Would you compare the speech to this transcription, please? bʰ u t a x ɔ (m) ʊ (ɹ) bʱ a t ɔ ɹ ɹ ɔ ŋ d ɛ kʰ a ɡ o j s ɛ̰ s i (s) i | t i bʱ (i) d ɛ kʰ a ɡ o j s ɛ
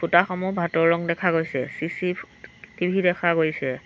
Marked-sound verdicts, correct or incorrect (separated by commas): correct, incorrect, correct, correct